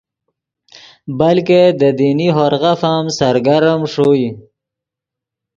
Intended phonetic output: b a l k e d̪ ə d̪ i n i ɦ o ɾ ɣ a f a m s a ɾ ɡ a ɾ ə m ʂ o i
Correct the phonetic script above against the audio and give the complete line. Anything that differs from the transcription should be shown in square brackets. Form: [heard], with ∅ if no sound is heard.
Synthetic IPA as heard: b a l k e d̪ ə d̪ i n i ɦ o ɾ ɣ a f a m s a ɾ ɡ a ɾ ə m ʂ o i

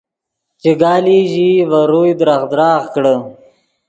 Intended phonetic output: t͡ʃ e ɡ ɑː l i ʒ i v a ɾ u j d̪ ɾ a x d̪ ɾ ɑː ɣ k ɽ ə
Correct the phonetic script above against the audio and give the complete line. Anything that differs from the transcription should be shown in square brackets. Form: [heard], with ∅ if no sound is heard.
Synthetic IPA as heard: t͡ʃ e ɡ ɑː l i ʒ i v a ɾ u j d̪ ɾ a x d̪ ɾ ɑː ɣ k ɽ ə

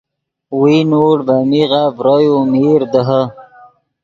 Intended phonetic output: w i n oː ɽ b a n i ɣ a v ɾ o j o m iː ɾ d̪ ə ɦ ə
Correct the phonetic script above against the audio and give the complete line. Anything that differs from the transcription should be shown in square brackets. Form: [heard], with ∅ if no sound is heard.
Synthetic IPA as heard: w i n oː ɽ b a [m] i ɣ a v ɾ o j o m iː ɾ d̪ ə ɦ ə

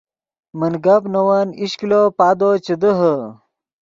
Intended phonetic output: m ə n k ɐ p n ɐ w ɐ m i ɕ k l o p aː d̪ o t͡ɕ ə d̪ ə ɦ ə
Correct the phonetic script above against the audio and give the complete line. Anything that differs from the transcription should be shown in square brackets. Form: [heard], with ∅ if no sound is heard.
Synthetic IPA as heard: m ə n [ɡ] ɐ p n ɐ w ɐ [n] i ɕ k l o p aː d̪ o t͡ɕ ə d̪ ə ɦ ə

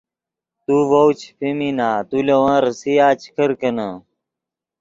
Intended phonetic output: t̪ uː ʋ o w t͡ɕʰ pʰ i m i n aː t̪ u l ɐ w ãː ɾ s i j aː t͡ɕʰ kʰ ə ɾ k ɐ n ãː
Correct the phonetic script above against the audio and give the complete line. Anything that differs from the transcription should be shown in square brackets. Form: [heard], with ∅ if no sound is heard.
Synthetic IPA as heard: t̪ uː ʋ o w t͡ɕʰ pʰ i m i n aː t̪ u l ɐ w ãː ɾ s i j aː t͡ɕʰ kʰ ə ɾ k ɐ n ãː

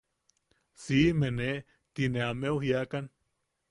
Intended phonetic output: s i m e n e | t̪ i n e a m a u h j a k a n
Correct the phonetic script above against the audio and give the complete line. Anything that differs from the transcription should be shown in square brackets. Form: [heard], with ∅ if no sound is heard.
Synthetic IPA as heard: s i m e n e | t̪ i n e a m [e] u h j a k a n

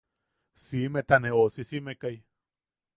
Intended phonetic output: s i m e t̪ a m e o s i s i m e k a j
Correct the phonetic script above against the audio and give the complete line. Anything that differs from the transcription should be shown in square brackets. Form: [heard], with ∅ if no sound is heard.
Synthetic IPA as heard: s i m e t̪ a [n] e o s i s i m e k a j

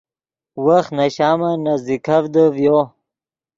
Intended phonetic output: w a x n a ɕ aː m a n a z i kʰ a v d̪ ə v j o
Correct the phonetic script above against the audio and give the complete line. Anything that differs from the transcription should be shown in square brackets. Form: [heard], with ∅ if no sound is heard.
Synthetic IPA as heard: w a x n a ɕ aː m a n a z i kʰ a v d̪ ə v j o

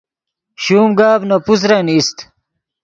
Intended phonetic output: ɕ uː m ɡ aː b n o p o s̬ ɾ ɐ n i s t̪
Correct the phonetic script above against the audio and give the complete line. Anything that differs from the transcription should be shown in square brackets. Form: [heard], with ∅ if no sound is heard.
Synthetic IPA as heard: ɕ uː m ɡ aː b n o p [u] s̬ ɾ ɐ n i s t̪

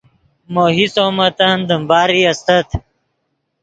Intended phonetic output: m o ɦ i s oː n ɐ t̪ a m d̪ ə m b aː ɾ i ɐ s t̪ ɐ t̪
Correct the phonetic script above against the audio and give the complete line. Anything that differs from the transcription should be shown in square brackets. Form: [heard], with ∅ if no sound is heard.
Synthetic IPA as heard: m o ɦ i s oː [m] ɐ t̪ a [n] d̪ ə m b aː ɾ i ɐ s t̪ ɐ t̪

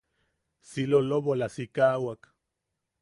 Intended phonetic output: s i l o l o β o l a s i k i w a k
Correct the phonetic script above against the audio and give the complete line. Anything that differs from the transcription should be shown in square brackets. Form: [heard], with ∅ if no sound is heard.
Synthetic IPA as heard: s i l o l o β o l a s i k [a] w a k

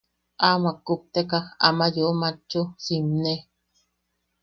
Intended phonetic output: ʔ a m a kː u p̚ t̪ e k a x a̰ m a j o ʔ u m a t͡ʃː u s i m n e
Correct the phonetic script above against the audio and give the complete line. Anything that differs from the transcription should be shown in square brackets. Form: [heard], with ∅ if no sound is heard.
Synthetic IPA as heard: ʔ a m a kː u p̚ t̪ e k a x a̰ m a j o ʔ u m a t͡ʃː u s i m n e

